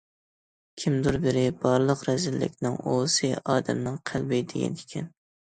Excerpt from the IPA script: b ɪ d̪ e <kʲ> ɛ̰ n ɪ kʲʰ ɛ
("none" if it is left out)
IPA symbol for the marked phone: ɡʲ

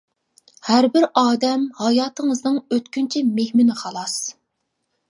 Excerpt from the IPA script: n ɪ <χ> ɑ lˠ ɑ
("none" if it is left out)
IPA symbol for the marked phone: χ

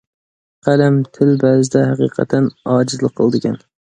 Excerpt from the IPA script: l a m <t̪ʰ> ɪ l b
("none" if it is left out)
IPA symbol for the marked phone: t̪ʰ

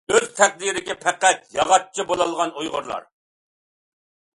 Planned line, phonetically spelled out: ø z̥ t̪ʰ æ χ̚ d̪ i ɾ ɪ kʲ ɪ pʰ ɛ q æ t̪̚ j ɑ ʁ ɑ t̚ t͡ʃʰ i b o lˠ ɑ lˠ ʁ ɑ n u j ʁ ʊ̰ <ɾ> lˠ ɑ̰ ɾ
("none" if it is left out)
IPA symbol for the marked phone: ɾ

